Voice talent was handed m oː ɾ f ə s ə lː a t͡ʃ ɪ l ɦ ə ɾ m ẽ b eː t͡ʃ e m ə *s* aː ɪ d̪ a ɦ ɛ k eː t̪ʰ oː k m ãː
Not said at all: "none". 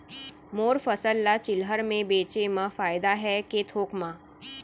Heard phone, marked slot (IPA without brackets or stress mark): f